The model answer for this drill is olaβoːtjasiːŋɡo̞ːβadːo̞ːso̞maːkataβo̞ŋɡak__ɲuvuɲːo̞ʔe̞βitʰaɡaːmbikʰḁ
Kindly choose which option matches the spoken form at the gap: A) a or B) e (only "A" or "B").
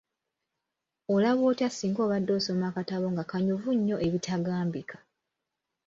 A